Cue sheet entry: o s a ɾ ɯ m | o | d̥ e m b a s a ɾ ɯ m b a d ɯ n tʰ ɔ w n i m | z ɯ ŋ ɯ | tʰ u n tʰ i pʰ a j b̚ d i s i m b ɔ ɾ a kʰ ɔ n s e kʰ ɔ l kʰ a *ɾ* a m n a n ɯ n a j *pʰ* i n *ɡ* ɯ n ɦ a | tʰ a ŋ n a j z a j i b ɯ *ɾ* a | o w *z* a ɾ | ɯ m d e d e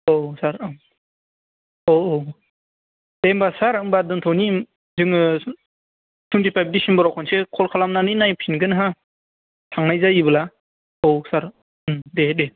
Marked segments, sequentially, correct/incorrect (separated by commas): incorrect, correct, correct, incorrect, incorrect